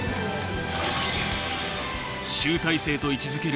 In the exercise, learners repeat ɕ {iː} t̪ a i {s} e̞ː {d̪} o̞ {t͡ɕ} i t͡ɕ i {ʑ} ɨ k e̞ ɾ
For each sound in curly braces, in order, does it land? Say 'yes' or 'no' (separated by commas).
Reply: no, yes, no, no, no